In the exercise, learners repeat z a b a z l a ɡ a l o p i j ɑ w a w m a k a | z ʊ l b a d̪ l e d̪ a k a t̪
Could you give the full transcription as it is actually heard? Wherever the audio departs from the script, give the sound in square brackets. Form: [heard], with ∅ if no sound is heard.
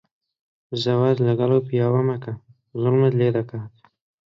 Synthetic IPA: z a [w] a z l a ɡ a l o p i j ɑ w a [∅] m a k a | z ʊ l [m] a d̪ l e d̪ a k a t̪

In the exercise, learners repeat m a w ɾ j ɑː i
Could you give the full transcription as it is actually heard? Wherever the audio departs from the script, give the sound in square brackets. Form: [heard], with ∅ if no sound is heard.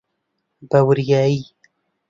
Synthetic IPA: [b] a w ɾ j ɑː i

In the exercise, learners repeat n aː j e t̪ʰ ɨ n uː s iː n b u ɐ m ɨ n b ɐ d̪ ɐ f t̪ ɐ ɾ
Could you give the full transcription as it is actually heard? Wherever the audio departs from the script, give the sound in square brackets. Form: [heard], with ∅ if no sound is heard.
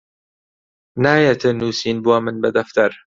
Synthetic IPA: n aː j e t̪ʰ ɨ n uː s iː n b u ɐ m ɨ n b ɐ d̪ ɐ f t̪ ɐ ɾ

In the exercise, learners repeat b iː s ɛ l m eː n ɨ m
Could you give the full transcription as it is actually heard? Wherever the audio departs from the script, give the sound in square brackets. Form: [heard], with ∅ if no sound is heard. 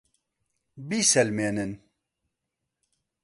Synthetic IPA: b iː s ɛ l m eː n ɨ [n]

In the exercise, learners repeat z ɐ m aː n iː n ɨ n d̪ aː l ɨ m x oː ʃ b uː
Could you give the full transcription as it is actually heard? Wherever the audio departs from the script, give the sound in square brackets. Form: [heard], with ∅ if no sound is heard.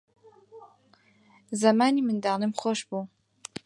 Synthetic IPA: z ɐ m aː n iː [m] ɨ n d̪ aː l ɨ m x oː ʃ b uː

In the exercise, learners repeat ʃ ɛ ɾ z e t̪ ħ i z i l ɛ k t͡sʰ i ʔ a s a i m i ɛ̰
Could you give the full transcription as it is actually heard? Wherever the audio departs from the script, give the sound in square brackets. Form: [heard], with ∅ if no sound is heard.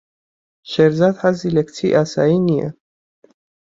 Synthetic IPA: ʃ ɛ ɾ z [a] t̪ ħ [a] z i l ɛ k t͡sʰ i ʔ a s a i [n] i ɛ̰

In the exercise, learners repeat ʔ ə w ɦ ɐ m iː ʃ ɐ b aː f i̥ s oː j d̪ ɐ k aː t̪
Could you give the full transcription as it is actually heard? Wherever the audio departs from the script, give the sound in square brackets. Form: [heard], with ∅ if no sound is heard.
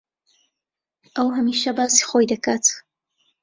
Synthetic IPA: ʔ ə w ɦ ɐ m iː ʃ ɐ b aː [s] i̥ [x] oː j d̪ ɐ k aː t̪

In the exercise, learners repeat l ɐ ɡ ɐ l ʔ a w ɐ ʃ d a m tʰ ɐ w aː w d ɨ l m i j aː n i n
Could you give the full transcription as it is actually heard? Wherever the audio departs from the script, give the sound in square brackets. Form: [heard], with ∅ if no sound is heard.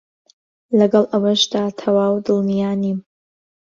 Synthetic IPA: l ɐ ɡ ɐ l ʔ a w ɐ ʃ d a [∅] tʰ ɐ w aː w d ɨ l m i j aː n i [m]

